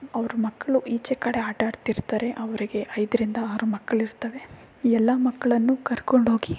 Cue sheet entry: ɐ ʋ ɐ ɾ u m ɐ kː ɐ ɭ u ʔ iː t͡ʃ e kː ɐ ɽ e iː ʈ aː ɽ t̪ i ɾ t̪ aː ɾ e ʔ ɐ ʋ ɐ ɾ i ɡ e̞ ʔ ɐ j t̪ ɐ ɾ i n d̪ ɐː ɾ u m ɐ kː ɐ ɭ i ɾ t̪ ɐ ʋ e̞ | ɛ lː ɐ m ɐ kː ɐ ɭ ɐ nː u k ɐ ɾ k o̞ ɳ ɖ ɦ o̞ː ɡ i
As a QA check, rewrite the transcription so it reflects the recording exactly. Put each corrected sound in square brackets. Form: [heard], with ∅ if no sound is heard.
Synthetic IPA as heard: ɐ ʋ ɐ ɾ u m ɐ kː ɐ ɭ u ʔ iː t͡ʃ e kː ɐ ɽ e [aː] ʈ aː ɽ t̪ i ɾ t̪ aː ɾ e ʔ ɐ ʋ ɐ ɾ i ɡ e̞ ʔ ɐ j [d̪] ɐ ɾ i n d̪ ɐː ɾ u m ɐ kː ɐ ɭ i ɾ t̪ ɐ ʋ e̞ | ɛ lː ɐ m ɐ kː ɐ ɭ ɐ nː u k ɐ ɾ k o̞ ɳ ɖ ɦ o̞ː ɡ i